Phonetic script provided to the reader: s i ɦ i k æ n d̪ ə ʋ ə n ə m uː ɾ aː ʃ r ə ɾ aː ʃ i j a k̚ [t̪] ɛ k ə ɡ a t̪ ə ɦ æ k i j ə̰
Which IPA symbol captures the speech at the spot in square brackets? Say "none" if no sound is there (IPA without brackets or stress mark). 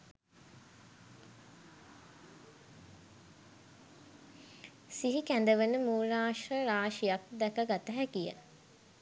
d̪